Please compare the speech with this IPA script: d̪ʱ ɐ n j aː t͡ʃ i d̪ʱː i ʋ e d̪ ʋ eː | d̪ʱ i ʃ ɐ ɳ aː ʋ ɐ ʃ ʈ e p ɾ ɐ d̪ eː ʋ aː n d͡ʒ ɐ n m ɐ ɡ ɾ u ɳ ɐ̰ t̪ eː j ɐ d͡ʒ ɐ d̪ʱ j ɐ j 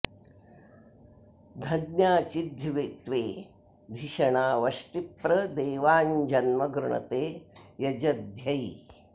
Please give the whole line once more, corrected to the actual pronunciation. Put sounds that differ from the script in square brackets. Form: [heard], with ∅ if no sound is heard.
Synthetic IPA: d̪ʱ ɐ n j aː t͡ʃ i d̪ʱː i ʋ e [t̪] ʋ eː | d̪ʱ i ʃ ɐ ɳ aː ʋ ɐ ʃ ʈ [i] p ɾ ɐ d̪ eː ʋ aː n d͡ʒ ɐ n m ɐ ɡ ɾ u ɳ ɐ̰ t̪ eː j ɐ d͡ʒ ɐ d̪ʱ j ɐ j

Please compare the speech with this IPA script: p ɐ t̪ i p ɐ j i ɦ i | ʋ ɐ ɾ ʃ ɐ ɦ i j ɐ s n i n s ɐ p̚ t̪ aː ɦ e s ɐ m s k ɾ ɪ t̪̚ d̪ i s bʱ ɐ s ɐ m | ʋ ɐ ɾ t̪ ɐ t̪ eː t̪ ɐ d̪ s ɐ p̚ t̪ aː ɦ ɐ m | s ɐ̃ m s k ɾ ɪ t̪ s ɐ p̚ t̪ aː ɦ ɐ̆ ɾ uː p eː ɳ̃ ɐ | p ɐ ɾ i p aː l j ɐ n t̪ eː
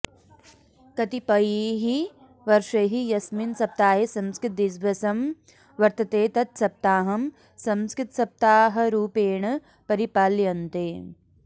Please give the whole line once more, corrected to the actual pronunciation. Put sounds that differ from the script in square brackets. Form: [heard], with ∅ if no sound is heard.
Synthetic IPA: [k] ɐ t̪ i p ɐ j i ɦ i | ʋ ɐ ɾ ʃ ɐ ɦ i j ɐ s [m] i n s ɐ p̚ t̪ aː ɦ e s ɐ m s k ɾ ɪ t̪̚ d̪ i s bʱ ɐ s ɐ m | ʋ ɐ ɾ t̪ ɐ t̪ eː t̪ ɐ [t̪] s ɐ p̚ t̪ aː ɦ ɐ m | s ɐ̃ m s k ɾ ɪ t̪ s ɐ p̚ t̪ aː ɦ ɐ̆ ɾ uː p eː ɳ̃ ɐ | p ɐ ɾ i p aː l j ɐ n t̪ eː

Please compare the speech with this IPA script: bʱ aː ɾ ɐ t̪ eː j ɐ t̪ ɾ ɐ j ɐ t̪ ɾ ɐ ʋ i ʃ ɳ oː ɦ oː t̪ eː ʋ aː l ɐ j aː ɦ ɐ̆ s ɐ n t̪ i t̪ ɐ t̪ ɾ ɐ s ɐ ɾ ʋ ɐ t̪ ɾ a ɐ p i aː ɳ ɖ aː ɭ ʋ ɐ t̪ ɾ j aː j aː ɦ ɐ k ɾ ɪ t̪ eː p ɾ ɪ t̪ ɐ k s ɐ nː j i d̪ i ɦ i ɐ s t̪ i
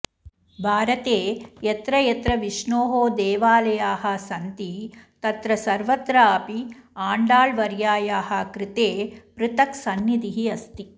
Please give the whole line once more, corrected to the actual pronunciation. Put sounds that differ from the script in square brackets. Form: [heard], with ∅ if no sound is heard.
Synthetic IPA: bʱ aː ɾ ɐ t̪ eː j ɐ t̪ ɾ ɐ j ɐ t̪ ɾ ɐ ʋ i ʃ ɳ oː ɦ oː [d̪] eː ʋ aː l ɐ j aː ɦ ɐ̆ s ɐ n t̪ i t̪ ɐ t̪ ɾ ɐ s ɐ ɾ ʋ ɐ t̪ ɾ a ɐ p i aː ɳ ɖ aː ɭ ʋ ɐ [∅] ɾ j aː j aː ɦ ɐ k ɾ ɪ t̪ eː p ɾ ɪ t̪ ɐ k s ɐ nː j i d̪ i ɦ i ɐ s t̪ i

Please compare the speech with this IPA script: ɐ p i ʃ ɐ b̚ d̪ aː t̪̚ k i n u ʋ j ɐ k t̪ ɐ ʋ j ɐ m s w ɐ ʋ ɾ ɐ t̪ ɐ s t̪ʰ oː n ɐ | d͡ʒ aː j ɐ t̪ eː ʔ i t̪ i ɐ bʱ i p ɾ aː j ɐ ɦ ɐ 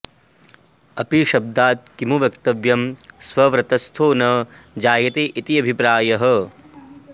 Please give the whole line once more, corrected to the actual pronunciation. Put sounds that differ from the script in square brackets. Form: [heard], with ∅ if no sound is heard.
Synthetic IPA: ɐ p i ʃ ɐ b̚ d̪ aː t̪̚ k i [m] u ʋ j ɐ k t̪ ɐ ʋ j ɐ m s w ɐ ʋ ɾ ɐ t̪ ɐ s t̪ʰ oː n ɐ | d͡ʒ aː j ɐ t̪ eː ʔ i t̪ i ɐ bʱ i p ɾ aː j ɐ ɦ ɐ

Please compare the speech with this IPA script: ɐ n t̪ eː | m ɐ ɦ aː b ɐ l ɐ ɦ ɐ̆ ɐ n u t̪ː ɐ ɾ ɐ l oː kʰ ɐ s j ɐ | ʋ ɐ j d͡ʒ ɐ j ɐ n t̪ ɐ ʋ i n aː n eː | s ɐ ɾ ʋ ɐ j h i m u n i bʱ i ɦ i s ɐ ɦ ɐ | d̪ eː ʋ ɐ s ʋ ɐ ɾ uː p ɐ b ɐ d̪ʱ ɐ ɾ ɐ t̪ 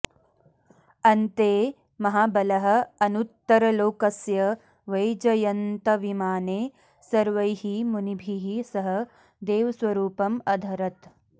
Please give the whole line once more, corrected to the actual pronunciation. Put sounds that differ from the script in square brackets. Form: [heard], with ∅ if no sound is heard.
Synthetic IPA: ɐ n t̪ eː | m ɐ ɦ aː b ɐ l ɐ ɦ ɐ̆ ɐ n u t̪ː ɐ ɾ ɐ l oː [k] ɐ s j ɐ | ʋ ɐ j d͡ʒ ɐ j ɐ n t̪ ɐ ʋ i [m] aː n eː | s ɐ ɾ ʋ ɐ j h i m u n i bʱ i ɦ i s ɐ ɦ ɐ | d̪ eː ʋ ɐ s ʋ ɐ ɾ uː p ɐ [m] ɐ d̪ʱ ɐ ɾ ɐ t̪

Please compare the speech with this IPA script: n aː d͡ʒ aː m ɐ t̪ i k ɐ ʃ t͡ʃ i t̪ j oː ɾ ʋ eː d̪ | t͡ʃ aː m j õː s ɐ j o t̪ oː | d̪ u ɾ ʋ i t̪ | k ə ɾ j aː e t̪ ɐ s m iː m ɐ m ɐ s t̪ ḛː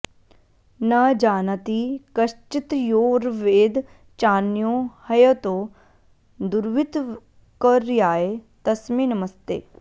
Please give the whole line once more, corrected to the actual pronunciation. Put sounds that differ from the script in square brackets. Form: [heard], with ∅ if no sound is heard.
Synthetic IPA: n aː d͡ʒ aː [n] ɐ t̪ i k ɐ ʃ t͡ʃ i t̪ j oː ɾ ʋ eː d̪ | t͡ʃ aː [n] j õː [h] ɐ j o t̪ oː | d̪ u ɾ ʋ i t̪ | k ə ɾ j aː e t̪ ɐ s m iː [n] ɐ m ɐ s t̪ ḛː

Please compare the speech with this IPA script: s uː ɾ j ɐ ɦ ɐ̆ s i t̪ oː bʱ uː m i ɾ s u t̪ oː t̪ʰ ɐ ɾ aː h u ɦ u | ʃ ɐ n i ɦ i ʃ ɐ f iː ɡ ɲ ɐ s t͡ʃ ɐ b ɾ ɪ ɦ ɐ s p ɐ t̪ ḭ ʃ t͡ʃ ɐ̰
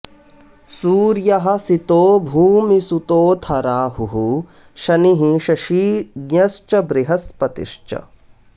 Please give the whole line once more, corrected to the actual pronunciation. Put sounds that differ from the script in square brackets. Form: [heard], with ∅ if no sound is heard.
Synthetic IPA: s uː ɾ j ɐ ɦ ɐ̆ s i t̪ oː bʱ uː m i [∅] s u t̪ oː t̪ʰ ɐ ɾ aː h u ɦ u | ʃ ɐ n i ɦ i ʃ ɐ [ʃ] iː ɡ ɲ ɐ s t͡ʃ ɐ b ɾ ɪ ɦ ɐ s p ɐ t̪ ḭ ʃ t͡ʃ ɐ̰

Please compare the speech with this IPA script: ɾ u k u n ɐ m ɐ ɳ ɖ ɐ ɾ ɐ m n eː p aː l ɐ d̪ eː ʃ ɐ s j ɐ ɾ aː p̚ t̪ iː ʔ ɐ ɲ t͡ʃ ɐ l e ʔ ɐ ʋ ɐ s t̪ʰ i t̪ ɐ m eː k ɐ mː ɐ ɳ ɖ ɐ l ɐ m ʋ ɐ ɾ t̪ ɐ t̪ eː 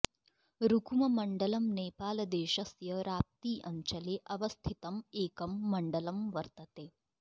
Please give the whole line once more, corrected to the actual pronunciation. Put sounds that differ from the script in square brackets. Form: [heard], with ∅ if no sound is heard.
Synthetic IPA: ɾ u k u [m] ɐ m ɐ ɳ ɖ ɐ [l] ɐ m n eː p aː l ɐ d̪ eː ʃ ɐ s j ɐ ɾ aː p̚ t̪ iː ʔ ɐ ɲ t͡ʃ ɐ l e ʔ ɐ ʋ ɐ s t̪ʰ i t̪ ɐ m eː k ɐ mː ɐ ɳ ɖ ɐ l ɐ m ʋ ɐ ɾ t̪ ɐ t̪ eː

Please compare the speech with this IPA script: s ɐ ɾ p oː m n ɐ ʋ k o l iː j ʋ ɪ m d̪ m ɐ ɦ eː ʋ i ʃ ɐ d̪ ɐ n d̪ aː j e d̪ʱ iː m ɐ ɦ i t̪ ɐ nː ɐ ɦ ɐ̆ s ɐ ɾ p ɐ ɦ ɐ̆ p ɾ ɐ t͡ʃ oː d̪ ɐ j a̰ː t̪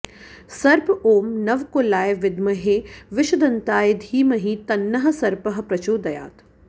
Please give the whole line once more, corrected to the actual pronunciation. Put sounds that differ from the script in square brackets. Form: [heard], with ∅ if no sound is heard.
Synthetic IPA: s ɐ ɾ p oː m n ɐ ʋ k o l [aː] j ʋ ɪ [∅] d̪ m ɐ ɦ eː ʋ [ɪ] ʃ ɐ d̪ ɐ n [t̪] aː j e d̪ʱ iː m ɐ ɦ i t̪ ɐ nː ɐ ɦ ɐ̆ s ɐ ɾ p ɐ ɦ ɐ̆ p ɾ ɐ t͡ʃ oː d̪ ɐ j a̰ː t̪

